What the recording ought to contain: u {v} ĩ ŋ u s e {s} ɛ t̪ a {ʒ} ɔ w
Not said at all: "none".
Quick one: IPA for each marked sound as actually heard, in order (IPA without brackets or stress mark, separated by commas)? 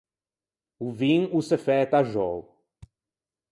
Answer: v, f, ʒ